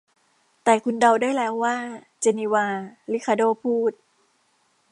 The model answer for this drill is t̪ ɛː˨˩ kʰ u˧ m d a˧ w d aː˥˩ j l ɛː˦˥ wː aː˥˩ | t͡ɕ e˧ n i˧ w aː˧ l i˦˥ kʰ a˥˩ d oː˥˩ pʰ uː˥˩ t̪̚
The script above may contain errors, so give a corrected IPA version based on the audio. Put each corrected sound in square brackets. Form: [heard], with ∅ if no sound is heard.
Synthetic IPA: t̪ ɛː˨˩ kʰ u˧ [n] d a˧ w d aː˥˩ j l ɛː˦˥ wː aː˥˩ | t͡ɕ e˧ n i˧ w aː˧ l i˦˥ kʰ [a˧] d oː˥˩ pʰ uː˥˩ t̪̚